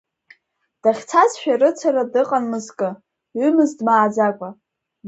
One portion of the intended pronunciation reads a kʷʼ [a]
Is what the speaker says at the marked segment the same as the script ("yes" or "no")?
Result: yes